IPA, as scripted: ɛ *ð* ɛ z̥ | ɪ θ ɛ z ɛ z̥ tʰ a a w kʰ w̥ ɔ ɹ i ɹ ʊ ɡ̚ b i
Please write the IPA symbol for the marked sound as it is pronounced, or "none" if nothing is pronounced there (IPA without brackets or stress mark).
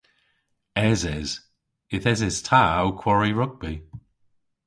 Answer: z